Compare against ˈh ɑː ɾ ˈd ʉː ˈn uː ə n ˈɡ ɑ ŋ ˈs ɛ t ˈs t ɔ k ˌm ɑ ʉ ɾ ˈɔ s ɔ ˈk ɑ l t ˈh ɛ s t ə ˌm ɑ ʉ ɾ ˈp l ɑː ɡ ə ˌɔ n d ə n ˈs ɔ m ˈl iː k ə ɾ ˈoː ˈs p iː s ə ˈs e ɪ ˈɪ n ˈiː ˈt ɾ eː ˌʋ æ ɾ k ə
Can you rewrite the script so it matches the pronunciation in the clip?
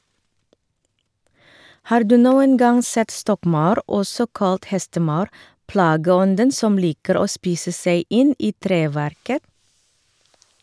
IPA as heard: ˈh ɑː ɾ ˈd ʉː ˈn uː ə n ˈɡ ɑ ŋ ˈs ɛ t ˈs t ɔ k ˌm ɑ ʉ ɾ ˈɔ s ɔ ˈk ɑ l t ˈh ɛ s t ə ˌm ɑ ʉ ɾ ˈp l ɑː ɡ ə ˌɔ n d ə n ˈs ɔ m ˈl iː k ə ɾ ˈoː ˈs p iː s ə ˈs e ɪ ˈɪ n ˈiː ˈt ɾ eː ˌʋ æ ɾ k ə